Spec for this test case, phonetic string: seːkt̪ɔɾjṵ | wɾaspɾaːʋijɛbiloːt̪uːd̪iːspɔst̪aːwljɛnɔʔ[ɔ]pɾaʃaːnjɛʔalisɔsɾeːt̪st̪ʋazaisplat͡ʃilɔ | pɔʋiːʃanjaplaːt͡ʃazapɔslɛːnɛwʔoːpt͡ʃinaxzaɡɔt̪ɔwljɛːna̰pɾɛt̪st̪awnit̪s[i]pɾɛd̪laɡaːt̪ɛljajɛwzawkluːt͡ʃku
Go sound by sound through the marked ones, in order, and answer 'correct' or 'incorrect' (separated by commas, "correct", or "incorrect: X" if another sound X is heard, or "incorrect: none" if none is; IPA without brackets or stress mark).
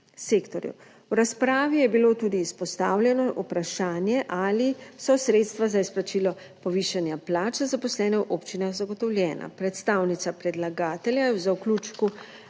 incorrect: u, incorrect: a